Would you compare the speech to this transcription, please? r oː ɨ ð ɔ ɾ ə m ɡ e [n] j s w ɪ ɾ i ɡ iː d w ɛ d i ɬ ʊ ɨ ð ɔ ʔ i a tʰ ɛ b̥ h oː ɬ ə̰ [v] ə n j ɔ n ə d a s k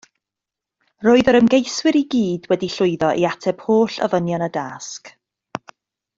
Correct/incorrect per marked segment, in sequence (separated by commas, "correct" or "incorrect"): incorrect, correct